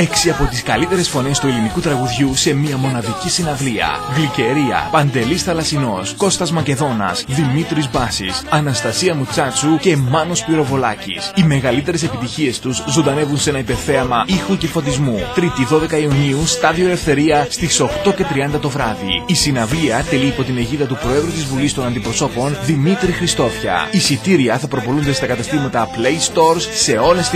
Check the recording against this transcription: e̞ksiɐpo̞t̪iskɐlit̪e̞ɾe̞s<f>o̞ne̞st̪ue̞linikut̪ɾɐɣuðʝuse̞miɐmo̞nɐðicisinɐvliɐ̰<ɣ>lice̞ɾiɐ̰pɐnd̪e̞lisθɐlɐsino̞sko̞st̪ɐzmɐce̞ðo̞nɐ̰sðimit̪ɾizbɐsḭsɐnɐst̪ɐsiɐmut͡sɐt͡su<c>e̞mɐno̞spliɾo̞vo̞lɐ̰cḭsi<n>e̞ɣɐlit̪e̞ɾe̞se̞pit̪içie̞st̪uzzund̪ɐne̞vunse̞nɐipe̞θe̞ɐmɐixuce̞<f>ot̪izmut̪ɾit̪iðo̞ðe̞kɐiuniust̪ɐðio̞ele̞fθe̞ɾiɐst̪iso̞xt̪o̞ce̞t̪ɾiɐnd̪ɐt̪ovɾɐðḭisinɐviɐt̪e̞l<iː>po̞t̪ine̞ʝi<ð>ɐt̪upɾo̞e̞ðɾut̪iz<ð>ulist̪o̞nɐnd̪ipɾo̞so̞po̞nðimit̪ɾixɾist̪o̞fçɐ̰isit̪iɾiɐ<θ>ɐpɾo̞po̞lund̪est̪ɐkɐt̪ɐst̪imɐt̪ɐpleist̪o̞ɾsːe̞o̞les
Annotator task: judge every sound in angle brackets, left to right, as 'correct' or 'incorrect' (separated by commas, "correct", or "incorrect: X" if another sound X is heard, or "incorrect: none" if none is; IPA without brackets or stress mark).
correct, correct, correct, incorrect: m, correct, correct, correct, incorrect: v, correct